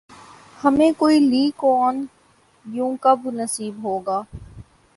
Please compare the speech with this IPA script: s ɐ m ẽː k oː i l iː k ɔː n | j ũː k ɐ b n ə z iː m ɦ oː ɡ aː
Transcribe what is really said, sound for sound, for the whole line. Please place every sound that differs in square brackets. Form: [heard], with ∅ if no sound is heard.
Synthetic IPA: [h] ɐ m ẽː k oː i l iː k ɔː n | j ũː k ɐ b n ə [s] iː [b] ɦ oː ɡ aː